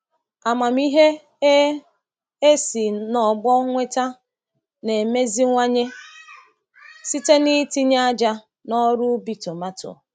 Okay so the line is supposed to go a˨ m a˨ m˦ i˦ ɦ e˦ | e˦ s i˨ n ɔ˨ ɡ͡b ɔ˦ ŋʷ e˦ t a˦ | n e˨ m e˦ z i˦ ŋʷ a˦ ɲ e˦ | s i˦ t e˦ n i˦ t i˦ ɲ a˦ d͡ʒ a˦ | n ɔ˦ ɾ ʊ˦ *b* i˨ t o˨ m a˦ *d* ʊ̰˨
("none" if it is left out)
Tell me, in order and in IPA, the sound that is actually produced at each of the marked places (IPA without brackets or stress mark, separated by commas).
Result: b, t